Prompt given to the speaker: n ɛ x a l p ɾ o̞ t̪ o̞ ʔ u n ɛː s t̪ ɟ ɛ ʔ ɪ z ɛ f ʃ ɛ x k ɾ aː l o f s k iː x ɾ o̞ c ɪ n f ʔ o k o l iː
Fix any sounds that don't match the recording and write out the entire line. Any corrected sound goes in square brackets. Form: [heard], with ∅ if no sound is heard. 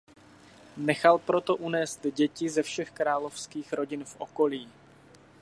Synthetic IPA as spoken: n ɛ x a l p ɾ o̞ t̪ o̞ ʔ u n ɛː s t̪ ɟ ɛ [c] ɪ z ɛ f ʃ ɛ x k ɾ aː l o f s k iː x ɾ o̞ [ɟ] ɪ n f ʔ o k o l iː